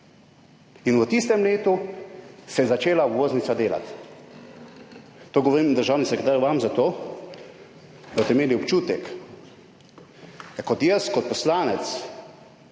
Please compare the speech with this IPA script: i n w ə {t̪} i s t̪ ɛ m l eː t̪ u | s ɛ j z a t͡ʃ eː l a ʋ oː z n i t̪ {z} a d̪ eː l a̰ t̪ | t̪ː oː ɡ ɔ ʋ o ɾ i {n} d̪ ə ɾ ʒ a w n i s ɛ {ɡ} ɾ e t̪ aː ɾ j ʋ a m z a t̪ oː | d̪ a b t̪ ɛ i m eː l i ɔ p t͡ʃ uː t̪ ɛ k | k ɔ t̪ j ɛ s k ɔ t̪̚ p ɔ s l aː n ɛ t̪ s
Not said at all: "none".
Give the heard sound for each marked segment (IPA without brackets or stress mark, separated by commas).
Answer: t̪, s, m, k